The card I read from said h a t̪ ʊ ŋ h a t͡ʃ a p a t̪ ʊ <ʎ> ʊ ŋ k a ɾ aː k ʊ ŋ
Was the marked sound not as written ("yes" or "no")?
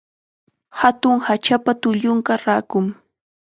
no